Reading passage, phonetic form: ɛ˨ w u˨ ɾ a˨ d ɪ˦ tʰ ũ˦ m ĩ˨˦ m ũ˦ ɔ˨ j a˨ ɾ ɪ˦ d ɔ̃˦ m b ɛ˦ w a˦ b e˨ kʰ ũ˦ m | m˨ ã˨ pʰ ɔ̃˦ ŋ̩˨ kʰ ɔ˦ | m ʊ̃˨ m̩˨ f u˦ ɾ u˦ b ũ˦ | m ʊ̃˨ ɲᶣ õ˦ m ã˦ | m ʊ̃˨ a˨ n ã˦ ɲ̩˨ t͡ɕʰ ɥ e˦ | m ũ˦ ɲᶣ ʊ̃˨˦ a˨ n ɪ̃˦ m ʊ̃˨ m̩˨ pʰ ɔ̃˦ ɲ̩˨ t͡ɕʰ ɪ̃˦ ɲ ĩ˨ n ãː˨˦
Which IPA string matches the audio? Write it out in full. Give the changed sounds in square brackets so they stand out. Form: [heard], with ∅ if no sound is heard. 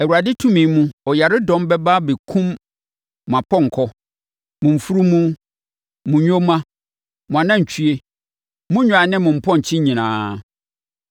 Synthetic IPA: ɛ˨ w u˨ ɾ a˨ d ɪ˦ tʰ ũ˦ m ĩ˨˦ m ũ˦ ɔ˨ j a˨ ɾ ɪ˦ d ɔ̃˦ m b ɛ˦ [b] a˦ b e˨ kʰ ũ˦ m | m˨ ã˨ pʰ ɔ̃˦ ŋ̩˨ kʰ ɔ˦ | m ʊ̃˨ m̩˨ f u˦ ɾ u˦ [m] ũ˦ | m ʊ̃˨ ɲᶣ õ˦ m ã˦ | m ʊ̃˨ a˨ n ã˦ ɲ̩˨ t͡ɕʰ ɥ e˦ | m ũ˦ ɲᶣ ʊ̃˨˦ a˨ n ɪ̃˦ m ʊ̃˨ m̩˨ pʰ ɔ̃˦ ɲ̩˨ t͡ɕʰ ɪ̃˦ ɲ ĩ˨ n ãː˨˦